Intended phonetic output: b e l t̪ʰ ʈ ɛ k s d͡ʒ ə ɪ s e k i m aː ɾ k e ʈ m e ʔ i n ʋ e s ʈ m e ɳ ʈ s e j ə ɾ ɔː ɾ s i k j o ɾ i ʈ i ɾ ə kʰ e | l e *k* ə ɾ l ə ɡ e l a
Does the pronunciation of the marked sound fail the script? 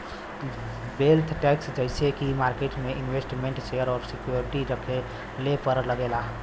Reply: yes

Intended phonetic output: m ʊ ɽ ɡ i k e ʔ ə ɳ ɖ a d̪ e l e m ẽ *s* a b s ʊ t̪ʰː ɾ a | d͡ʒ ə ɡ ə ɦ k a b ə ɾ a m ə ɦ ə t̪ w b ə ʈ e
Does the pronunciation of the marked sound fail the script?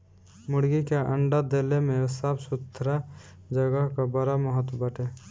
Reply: no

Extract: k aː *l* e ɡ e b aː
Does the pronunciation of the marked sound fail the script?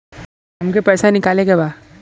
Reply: no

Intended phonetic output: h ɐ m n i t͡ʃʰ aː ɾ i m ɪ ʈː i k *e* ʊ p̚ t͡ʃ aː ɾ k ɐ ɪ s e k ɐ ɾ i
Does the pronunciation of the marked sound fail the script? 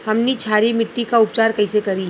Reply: yes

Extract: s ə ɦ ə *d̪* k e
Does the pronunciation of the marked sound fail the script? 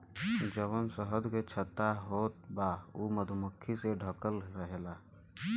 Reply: no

